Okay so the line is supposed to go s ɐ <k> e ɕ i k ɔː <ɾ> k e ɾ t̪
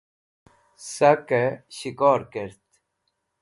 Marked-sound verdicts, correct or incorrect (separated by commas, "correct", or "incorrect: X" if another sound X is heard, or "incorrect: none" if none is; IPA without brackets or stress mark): correct, correct